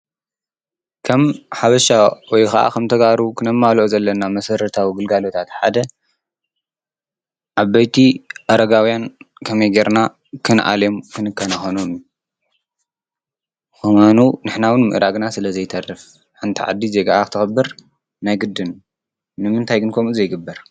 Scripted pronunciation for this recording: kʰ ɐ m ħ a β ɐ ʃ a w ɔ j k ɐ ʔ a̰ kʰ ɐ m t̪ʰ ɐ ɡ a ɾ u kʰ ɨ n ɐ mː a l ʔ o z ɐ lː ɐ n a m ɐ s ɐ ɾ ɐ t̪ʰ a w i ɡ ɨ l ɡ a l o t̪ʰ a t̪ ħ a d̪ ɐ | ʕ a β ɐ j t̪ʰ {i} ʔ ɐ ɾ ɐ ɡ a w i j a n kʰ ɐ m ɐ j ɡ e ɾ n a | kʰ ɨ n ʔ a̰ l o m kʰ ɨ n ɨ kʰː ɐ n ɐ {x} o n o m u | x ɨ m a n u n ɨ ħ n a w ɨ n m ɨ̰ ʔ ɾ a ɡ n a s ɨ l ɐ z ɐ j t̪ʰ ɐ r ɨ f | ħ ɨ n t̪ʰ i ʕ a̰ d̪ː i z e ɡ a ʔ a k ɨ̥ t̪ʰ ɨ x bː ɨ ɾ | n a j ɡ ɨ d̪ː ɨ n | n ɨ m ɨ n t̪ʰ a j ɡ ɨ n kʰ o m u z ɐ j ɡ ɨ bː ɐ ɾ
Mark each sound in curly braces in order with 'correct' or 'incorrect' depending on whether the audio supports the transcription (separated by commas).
correct, correct